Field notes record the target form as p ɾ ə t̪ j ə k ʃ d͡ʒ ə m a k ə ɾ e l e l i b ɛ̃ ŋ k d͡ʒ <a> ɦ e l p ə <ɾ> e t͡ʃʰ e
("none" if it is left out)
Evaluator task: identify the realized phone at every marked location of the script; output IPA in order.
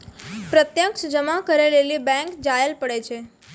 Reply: a, ɽ

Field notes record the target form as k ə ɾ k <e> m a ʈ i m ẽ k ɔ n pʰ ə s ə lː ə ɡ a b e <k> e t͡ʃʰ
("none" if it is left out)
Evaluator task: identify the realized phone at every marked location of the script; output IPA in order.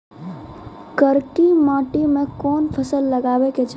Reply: i, k

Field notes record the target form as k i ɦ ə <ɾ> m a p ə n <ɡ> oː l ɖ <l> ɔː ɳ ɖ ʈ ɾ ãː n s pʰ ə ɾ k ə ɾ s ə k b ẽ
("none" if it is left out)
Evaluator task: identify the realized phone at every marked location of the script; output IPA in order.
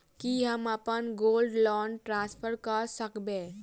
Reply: none, ɡ, l

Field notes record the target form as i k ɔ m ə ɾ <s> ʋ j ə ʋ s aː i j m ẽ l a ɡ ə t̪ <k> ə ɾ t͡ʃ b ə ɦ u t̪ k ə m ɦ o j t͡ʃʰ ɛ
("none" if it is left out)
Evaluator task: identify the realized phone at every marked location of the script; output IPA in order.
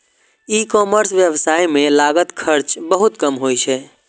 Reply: s, kʰ

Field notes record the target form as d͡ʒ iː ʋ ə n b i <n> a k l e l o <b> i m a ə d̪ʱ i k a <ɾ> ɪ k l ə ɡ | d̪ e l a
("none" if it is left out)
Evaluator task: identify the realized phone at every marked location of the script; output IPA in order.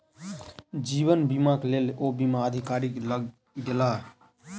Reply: m, b, ɾ

